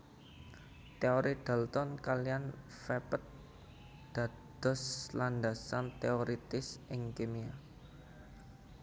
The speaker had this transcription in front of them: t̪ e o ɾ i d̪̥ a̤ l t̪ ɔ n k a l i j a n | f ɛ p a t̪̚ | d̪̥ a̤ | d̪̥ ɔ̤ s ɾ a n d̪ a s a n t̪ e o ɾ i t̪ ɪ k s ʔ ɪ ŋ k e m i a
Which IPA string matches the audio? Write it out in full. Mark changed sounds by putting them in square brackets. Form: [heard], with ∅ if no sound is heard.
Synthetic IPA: t̪ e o ɾ i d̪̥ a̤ l t̪ ɔ n k a l i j a n | f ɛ p [ə] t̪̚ | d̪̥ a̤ | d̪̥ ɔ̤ s [l] a n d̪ a s a n t̪ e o ɾ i t̪ ɪ [∅] s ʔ ɪ ŋ k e m i a

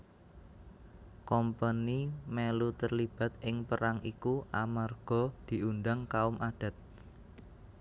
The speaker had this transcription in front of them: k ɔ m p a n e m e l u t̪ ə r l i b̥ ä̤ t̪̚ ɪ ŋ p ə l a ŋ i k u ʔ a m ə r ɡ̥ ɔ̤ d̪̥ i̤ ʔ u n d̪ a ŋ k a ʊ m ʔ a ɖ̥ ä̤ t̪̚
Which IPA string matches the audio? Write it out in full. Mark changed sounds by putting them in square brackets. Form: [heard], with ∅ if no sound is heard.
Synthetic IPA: k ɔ m p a n [i] m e l u t̪ ə r l i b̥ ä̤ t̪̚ ɪ ŋ p ə [ɾ] a ŋ i k u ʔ a m [a] r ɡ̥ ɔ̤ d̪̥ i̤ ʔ u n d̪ a ŋ k a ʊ m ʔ a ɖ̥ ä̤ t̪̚

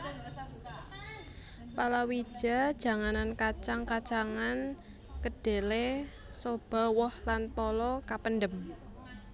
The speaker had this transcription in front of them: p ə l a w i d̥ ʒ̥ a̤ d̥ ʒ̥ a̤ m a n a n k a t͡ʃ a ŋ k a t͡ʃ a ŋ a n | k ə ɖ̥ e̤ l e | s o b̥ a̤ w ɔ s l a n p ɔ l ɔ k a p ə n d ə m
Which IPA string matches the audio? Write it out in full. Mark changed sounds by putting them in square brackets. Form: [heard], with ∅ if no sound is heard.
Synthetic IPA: p [a] l a w i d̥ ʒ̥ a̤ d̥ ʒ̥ a̤ [ŋ] a n a n k a t͡ʃ a ŋ k a t͡ʃ a ŋ a n | k ə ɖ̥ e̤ l e | s o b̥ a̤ w ɔ [h] l a n p ɔ l ɔ k a p ə n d ə m

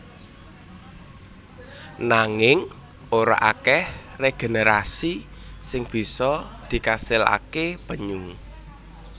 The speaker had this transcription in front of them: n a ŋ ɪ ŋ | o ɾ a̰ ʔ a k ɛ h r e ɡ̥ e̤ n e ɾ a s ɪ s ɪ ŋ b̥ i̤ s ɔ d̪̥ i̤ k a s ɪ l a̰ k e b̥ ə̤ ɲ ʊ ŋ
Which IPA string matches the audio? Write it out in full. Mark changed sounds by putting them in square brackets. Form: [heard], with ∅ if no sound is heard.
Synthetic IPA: n a ŋ ɪ ŋ | o ɾ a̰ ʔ a k ɛ h r e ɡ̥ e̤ n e ɾ a s [i] s ɪ ŋ b̥ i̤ s ɔ d̪̥ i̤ k a s ɪ l a̰ k e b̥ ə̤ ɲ ʊ ŋ

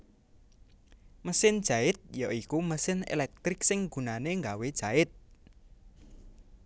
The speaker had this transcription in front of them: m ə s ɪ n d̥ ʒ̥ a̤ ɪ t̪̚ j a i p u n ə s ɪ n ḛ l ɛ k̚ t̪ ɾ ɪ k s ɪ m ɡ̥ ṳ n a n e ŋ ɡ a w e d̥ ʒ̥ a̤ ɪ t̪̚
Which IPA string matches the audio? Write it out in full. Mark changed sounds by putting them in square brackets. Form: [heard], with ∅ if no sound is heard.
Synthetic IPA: m ə s ɪ n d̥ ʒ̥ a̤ ɪ t̪̚ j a i [k] u [m] ə s ɪ n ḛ l ɛ k̚ t̪ ɾ ɪ k s ɪ [ŋ] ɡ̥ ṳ n a n e ŋ ɡ a w e d̥ ʒ̥ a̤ ɪ t̪̚

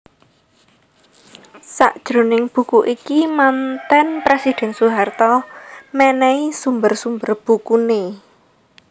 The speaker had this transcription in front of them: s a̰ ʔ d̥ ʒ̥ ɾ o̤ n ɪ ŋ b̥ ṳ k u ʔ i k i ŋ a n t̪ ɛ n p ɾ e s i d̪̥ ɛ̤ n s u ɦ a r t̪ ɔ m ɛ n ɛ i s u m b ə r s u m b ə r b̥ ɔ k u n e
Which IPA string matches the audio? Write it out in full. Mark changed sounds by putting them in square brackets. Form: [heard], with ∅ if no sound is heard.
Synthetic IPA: s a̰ ʔ d̥ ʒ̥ ɾ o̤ n ɪ ŋ b̥ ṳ k u ʔ i k i [m] a n t̪ ɛ n p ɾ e s i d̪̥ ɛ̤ n s u ɦ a r t̪ ɔ m ɛ n ɛ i s u m b ə r s u m b ə r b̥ [u] k u n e

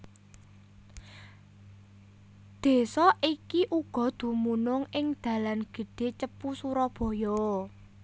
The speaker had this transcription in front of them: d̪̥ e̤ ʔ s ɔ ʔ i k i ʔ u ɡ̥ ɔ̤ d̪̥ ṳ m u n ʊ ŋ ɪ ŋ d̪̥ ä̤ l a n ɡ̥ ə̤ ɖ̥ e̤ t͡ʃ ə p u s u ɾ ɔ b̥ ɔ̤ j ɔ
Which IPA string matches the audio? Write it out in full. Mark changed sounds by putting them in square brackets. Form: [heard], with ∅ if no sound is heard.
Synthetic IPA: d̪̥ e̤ [∅] s ɔ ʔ i k i ʔ u ɡ̥ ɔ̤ d̪̥ ṳ m u n ʊ ŋ ɪ ŋ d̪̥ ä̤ l a n ɡ̥ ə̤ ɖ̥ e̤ t͡ʃ ə p u s u ɾ ɔ b̥ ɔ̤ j ɔ

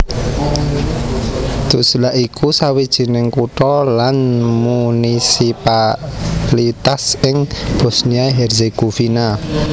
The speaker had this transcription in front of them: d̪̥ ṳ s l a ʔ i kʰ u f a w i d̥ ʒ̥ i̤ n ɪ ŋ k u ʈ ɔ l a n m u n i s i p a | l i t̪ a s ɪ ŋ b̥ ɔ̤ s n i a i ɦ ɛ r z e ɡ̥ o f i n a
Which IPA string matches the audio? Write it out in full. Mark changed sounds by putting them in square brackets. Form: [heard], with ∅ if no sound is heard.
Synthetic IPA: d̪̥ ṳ s l a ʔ i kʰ u [s] a w i d̥ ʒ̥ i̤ n ɪ ŋ k u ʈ ɔ l a n m u n i s i p a | l i t̪ a s ɪ ŋ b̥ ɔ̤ s n i a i ɦ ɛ r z e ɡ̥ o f i n a

